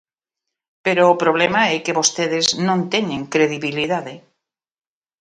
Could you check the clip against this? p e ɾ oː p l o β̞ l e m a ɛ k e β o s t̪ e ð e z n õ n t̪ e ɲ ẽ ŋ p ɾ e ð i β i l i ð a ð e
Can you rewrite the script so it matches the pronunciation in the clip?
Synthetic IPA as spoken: p e ɾ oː p ɾ o β̞ l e m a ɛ k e β o s t̪ e ð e z n õ n t̪ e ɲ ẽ ŋ k ɾ e ð i β i l i ð a ð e